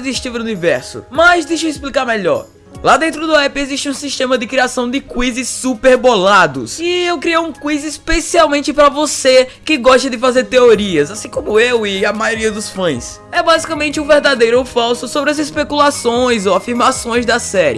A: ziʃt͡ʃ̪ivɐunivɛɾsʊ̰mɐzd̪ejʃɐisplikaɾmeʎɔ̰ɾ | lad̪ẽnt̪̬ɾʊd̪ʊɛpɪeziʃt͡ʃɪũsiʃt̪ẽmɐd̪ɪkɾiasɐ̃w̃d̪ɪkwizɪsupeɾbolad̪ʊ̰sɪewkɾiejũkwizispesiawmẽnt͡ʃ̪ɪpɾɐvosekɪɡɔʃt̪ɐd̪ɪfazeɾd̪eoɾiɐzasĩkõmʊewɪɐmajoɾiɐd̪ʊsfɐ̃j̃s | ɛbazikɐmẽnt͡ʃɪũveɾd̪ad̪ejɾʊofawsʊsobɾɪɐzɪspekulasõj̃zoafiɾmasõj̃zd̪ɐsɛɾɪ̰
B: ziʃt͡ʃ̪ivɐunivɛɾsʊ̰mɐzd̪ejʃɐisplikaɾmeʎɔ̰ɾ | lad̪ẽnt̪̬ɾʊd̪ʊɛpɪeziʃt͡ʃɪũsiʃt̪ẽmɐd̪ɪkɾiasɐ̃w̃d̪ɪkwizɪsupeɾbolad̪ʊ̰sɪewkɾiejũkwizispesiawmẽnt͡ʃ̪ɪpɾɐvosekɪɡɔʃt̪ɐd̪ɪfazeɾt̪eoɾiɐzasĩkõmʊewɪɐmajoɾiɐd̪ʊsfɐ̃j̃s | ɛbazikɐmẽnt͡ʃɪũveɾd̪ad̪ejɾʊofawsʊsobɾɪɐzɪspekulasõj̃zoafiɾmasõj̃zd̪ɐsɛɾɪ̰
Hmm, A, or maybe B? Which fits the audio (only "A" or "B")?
B